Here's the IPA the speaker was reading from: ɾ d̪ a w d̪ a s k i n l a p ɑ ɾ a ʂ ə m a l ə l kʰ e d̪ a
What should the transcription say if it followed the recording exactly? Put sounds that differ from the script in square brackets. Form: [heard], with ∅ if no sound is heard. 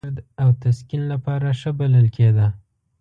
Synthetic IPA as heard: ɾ d̪ a w [t̪] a s k i n l a p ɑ ɾ a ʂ ə [b] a l ə l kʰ e d̪ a